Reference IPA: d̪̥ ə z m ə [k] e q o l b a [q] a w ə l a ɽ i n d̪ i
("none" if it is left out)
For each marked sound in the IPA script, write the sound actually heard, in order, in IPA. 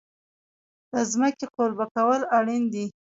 k, k

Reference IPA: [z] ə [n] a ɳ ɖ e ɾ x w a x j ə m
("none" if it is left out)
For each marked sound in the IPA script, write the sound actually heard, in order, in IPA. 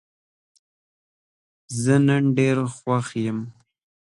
z, n

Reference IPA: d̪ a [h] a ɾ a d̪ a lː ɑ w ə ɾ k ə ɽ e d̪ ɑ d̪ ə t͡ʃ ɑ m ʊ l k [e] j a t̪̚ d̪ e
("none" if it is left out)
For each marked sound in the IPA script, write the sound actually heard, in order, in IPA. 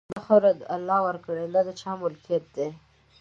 x, i

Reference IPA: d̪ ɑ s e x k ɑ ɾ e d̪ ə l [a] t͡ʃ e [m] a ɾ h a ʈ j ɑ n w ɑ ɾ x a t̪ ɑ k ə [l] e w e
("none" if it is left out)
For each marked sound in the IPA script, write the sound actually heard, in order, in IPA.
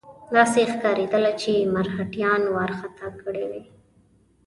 a, m, ɽ

